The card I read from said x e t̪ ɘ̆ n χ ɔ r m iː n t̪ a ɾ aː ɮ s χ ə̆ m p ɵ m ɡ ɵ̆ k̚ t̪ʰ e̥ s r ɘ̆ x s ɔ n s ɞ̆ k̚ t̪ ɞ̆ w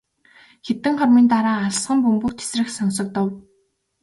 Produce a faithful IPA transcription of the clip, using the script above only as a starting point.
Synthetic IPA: x e t̪ ɘ̆ ŋ χ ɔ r m iː n t̪ a ɾ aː ɮ s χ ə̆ m p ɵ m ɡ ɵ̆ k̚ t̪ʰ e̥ s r ɘ̆ x s ɔ n s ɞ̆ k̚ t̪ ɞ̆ w